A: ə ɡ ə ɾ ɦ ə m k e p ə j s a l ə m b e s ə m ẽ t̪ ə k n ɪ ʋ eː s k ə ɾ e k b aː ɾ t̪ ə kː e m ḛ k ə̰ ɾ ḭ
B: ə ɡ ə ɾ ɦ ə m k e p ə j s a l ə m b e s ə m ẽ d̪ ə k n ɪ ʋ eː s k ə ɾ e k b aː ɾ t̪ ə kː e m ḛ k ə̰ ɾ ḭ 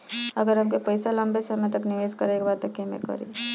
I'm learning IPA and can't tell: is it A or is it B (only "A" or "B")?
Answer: A